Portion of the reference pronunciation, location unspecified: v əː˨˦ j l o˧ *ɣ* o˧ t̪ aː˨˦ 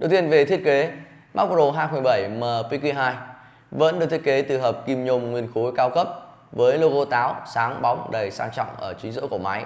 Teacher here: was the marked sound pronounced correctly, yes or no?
yes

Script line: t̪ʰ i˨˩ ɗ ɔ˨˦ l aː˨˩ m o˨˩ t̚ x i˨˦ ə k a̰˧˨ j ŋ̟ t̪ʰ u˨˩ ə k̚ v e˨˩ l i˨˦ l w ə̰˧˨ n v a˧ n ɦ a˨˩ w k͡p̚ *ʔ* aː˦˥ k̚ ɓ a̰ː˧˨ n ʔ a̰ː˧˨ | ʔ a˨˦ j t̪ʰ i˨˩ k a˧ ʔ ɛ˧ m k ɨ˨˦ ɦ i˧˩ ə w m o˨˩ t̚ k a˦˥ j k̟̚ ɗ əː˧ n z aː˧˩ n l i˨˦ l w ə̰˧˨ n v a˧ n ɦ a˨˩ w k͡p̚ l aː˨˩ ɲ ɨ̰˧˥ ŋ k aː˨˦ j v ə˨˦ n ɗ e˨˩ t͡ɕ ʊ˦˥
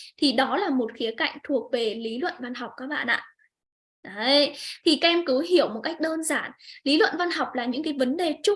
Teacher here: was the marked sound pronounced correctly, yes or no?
no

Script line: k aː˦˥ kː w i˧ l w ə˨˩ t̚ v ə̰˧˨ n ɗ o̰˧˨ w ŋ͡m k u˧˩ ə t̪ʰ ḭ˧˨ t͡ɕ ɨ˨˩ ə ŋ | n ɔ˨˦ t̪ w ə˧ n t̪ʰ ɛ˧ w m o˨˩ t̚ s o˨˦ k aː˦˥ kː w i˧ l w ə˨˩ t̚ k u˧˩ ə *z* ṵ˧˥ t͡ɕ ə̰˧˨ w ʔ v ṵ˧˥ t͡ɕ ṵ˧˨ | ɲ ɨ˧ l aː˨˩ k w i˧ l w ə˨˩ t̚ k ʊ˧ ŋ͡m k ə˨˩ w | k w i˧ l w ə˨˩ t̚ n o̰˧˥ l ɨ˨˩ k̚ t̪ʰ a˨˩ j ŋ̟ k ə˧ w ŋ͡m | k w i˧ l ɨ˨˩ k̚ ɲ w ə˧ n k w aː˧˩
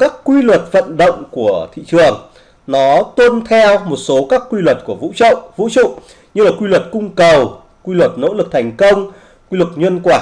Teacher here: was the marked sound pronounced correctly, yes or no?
no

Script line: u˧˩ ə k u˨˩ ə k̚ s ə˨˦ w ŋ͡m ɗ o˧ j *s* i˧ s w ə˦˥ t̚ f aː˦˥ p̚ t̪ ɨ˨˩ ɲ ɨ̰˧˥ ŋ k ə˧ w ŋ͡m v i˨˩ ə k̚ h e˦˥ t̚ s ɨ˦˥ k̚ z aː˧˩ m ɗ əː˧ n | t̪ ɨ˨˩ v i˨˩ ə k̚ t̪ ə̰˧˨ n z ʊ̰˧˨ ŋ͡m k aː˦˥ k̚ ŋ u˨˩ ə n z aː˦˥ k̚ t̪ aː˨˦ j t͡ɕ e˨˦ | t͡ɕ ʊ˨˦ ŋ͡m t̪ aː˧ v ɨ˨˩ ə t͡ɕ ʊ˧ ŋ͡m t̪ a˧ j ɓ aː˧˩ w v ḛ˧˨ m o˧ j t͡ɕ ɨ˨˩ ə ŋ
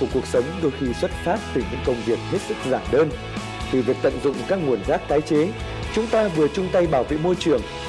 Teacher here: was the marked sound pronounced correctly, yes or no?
no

